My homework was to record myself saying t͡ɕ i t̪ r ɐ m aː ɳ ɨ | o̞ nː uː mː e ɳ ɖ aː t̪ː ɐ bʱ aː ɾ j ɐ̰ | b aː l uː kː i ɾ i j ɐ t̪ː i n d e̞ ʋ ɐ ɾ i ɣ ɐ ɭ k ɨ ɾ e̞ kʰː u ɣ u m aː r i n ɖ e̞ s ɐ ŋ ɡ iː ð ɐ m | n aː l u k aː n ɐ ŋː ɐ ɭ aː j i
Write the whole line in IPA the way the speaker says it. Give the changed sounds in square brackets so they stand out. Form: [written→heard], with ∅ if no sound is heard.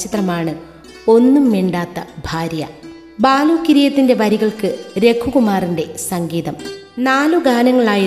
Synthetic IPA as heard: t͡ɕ i t̪ r ɐ m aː ɳ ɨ | o̞ nː [uː→u] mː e ɳ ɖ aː t̪ː ɐ bʱ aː ɾ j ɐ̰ | b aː l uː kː i ɾ i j ɐ t̪ː i n d e̞ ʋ ɐ ɾ i ɣ ɐ ɭ k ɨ ɾ e̞ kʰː u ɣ u m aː r i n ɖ e̞ s ɐ ŋ ɡ iː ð ɐ m | n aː l u [k→ɡ] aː n ɐ ŋː ɐ ɭ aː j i